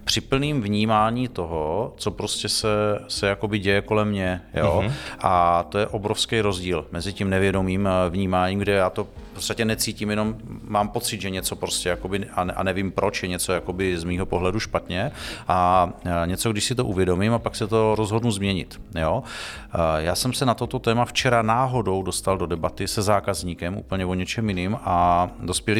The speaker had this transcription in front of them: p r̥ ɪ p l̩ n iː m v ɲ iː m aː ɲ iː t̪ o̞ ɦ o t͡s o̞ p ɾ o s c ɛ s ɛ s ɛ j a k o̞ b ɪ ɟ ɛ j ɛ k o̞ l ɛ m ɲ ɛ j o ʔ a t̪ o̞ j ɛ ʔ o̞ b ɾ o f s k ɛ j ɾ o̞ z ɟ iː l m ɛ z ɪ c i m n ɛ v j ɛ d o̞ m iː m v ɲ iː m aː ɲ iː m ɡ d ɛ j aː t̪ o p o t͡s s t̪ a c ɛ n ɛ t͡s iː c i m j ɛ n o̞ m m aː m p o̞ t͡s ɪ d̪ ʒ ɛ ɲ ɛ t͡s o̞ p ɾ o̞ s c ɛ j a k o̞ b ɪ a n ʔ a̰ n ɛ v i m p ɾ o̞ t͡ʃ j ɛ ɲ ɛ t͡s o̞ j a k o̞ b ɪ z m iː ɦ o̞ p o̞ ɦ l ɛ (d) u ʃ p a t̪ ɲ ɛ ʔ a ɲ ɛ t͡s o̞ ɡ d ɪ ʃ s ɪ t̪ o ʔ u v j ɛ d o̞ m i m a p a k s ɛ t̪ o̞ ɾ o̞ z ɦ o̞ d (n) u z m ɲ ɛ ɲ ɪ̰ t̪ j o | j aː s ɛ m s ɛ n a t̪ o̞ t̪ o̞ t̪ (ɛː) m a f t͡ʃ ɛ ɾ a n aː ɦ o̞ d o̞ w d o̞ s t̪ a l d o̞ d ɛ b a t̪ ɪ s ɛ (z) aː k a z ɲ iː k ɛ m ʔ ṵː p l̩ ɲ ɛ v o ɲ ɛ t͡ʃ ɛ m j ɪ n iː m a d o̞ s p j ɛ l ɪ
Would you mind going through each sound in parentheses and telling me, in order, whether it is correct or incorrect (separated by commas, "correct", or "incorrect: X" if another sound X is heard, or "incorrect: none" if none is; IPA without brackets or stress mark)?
correct, correct, correct, correct